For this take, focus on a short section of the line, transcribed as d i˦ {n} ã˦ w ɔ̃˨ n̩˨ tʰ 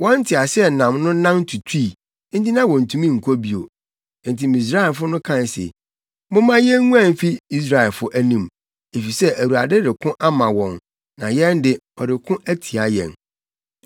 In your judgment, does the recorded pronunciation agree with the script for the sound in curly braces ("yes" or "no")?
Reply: yes